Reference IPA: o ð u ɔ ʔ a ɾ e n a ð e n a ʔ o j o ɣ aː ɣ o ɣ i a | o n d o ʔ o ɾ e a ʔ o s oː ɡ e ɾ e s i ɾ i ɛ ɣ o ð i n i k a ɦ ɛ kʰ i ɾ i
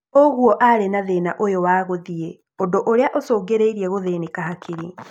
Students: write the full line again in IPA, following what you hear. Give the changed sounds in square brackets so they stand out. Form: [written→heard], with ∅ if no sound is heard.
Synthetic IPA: o [ð→ɣ] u ɔ ʔ a ɾ e n a ð e n a ʔ o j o [ɣ→w] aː ɣ o [ɣ→ð] i [a→e] | o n d o ʔ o ɾ e a ʔ o s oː ɡ e ɾ e [s→∅] i ɾ i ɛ ɣ o ð [i→e] n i k a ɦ [ɛ→a] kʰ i ɾ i